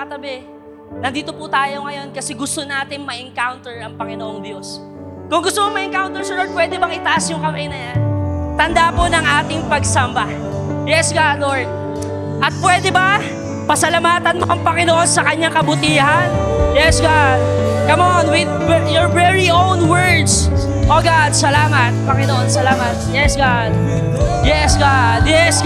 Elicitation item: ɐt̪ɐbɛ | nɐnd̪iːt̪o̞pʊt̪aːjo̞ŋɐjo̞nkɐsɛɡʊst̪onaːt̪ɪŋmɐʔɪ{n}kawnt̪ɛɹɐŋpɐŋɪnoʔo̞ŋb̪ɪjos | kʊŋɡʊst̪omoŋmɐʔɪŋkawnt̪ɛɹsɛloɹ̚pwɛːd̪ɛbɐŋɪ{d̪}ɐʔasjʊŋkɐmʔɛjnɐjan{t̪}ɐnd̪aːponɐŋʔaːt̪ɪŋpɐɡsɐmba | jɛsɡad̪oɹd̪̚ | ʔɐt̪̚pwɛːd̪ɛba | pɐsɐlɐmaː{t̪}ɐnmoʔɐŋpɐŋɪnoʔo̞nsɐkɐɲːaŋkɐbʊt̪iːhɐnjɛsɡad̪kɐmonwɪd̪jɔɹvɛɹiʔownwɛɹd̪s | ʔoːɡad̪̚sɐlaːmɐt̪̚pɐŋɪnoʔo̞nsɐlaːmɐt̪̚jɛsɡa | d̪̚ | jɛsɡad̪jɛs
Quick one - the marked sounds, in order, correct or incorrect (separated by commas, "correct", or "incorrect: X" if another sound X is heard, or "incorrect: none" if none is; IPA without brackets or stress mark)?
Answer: incorrect: ŋ, incorrect: t̪, correct, correct